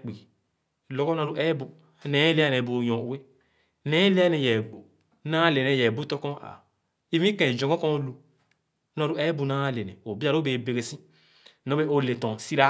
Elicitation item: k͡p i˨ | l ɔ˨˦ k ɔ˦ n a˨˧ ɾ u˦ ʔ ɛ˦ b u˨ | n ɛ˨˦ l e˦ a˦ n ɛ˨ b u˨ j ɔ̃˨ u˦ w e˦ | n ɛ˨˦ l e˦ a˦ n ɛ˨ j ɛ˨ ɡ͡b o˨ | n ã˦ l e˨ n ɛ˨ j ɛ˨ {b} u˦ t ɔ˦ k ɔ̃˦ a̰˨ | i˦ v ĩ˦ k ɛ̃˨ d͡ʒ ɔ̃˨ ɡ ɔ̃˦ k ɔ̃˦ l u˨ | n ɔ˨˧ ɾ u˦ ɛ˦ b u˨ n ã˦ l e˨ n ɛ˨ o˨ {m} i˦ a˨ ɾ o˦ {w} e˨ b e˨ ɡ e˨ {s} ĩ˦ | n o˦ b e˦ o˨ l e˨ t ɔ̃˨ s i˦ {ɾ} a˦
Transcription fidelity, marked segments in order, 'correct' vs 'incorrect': correct, incorrect, incorrect, correct, correct

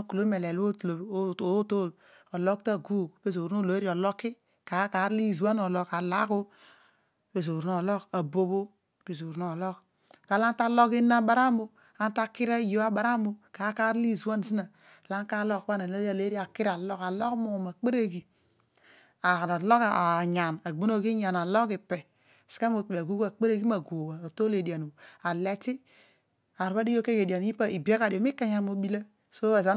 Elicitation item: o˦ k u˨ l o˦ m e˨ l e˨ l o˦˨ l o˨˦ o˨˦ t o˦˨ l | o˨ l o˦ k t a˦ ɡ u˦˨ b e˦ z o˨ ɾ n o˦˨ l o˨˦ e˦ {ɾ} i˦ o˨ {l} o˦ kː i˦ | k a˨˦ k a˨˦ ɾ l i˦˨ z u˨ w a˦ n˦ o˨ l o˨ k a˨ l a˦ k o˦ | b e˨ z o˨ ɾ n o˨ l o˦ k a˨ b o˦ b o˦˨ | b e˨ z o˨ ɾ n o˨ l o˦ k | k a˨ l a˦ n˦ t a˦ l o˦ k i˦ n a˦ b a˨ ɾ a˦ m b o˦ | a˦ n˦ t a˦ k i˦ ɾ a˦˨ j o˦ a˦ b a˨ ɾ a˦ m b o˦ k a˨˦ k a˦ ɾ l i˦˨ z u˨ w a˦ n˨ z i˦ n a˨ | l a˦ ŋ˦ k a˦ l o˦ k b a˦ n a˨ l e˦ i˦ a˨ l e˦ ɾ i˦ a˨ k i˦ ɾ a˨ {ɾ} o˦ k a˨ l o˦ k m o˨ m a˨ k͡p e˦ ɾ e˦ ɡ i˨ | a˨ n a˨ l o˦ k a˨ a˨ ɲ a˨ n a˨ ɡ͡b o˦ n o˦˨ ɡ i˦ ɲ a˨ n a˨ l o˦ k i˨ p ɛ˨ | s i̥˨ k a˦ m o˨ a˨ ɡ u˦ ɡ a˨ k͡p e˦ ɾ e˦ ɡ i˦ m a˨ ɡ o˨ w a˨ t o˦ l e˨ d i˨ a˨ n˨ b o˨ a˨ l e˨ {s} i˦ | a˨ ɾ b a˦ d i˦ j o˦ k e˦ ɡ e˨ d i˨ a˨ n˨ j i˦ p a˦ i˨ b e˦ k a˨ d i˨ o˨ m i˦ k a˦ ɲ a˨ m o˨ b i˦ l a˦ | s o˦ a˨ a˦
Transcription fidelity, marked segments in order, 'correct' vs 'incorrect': correct, correct, incorrect, incorrect

